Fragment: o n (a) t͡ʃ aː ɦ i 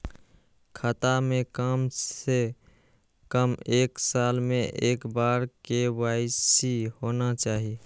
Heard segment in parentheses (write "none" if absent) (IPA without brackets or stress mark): a